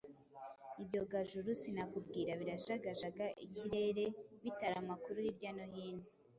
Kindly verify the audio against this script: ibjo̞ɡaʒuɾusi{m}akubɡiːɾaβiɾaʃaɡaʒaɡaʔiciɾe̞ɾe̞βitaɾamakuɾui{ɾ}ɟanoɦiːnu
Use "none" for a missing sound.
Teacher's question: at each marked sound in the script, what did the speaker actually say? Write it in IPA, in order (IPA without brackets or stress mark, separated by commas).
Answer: n, ɾ